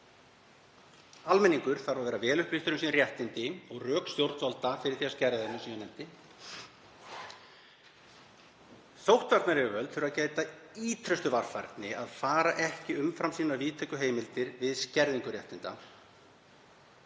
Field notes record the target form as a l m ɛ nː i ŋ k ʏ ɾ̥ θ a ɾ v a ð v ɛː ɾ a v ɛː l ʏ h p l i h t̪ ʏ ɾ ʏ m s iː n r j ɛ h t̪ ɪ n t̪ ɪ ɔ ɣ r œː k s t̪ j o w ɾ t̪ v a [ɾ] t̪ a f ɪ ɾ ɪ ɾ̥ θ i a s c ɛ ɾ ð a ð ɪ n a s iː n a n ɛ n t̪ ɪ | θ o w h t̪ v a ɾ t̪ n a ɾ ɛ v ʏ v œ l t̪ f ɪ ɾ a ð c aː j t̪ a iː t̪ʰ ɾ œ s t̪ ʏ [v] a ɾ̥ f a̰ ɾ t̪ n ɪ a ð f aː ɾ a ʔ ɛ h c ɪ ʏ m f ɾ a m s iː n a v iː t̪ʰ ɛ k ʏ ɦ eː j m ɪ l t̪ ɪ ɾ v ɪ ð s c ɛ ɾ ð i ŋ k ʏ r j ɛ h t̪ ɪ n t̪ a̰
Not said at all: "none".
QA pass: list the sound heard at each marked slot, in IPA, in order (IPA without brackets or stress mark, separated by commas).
l, v